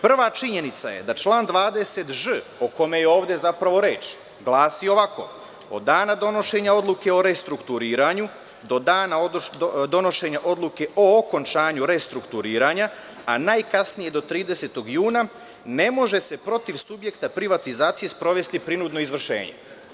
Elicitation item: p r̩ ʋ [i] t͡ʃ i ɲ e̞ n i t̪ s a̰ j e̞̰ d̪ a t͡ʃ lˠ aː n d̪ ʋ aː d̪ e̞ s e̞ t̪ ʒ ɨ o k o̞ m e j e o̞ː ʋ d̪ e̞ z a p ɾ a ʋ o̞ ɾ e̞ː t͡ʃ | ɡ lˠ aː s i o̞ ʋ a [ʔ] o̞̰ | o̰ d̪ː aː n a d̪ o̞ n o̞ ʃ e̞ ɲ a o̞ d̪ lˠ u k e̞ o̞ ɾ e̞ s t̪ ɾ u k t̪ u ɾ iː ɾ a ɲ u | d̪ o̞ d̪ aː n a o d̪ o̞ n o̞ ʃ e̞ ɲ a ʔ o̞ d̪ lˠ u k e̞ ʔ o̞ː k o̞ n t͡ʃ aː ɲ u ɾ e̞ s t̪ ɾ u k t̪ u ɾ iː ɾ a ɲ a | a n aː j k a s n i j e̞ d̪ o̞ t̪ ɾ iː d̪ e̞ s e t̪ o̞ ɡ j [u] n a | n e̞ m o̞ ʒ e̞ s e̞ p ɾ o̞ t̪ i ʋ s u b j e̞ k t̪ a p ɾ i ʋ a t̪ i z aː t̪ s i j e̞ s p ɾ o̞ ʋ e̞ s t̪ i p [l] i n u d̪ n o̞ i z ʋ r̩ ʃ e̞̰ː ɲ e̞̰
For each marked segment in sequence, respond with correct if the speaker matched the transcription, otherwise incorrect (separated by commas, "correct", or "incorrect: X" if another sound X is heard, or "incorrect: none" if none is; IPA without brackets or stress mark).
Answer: incorrect: a, incorrect: k, incorrect: uː, incorrect: ɾ